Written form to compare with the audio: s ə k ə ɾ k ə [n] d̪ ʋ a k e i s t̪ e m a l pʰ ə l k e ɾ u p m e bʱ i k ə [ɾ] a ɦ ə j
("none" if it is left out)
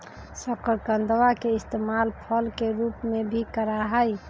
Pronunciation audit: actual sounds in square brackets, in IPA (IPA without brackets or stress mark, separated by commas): n, ɾ